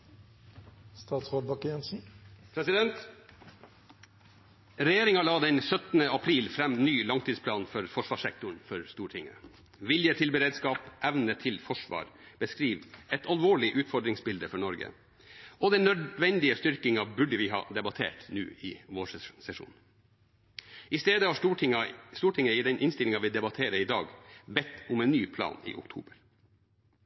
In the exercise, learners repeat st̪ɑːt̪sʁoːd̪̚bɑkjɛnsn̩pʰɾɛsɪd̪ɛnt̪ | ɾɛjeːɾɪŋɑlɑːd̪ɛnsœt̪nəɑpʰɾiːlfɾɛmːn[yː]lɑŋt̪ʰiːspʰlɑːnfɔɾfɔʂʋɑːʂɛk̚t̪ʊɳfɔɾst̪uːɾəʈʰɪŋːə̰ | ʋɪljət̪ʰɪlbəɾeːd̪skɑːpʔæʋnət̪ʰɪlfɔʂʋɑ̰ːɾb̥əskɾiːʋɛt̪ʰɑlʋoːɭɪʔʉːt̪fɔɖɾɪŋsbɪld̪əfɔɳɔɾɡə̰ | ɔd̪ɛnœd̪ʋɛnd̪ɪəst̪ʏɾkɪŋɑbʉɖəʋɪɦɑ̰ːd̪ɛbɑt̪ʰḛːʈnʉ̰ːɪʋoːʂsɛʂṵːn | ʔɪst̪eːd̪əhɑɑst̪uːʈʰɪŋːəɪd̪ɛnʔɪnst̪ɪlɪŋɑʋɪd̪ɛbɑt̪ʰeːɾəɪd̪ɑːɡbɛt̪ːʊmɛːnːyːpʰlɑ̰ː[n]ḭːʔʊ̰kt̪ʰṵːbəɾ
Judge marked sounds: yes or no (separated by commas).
yes, yes